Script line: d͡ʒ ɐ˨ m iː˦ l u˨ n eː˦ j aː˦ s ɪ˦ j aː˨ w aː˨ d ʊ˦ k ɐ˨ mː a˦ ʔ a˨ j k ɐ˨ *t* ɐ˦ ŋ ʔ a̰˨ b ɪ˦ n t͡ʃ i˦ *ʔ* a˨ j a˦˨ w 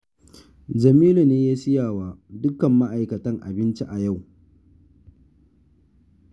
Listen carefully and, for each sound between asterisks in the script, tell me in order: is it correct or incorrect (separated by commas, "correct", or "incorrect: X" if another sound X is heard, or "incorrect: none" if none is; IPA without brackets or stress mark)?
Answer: correct, correct